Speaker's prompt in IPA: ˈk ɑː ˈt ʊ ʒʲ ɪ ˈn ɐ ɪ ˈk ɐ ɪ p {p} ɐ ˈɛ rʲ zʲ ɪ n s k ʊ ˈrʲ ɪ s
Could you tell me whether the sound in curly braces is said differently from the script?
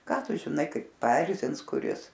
no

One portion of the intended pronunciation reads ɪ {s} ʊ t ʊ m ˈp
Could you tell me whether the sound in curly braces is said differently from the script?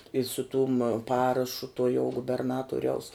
no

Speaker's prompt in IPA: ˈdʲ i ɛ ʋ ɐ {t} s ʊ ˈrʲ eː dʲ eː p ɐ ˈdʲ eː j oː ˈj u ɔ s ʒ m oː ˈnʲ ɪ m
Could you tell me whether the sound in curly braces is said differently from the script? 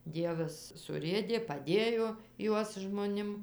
yes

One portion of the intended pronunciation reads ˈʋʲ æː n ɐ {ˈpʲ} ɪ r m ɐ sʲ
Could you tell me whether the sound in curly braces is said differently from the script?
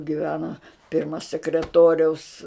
no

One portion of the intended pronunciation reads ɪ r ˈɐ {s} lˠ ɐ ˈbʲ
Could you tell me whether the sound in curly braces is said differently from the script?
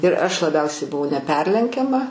yes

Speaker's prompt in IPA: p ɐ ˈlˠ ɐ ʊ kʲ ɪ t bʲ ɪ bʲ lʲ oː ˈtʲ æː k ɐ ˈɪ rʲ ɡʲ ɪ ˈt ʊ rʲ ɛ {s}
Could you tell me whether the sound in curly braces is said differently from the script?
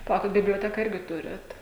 yes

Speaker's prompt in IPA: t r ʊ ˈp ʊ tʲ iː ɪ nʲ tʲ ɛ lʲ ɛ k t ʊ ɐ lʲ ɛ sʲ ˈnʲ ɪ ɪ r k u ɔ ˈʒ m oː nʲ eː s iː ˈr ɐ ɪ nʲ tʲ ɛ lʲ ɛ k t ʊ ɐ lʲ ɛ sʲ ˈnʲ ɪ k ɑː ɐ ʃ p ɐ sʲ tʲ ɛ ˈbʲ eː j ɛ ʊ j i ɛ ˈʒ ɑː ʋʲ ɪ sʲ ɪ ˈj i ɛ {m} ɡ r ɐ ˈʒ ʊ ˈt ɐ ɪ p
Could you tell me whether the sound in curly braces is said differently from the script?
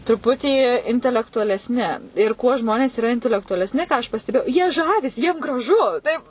no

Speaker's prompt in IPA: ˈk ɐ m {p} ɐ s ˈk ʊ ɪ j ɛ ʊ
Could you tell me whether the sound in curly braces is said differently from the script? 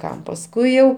no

